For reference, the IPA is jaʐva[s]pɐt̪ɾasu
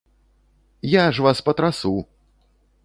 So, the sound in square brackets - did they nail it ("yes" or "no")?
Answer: yes